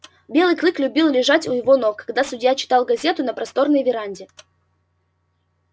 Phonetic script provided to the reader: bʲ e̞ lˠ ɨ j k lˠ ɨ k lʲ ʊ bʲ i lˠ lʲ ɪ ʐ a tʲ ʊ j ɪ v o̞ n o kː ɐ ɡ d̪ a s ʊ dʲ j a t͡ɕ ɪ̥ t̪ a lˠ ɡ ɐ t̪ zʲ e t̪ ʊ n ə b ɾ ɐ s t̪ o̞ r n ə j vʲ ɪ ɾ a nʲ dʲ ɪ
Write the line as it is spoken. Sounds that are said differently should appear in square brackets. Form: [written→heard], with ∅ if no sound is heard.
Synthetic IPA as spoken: bʲ e̞ lˠ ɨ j k lˠ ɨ k lʲ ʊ bʲ i lˠ lʲ ɪ ʐ a tʲ ʊ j ɪ v o̞ n o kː ɐ ɡ d̪ a s ʊ dʲ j a t͡ɕ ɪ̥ t̪ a lˠ ɡ ɐ [t̪→∅] zʲ e t̪ ʊ n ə [b→p] ɾ ɐ s t̪ o̞ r n ə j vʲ ɪ ɾ a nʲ dʲ ɪ